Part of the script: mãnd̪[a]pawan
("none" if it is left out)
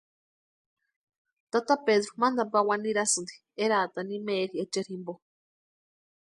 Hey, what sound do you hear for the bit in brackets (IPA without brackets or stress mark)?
a